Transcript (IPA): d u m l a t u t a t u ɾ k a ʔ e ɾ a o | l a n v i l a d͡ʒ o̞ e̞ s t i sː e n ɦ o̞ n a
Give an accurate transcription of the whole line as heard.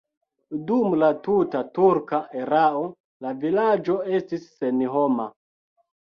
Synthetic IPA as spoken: d u m l a t u t a t u ɾ k a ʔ e ɾ a o | l a v i l a d͡ʒ o̞ e̞ s t i sː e n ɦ o̞ m a